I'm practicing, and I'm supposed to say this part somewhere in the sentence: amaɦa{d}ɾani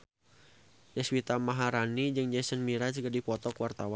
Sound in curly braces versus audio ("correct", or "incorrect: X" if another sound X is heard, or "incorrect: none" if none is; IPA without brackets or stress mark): incorrect: none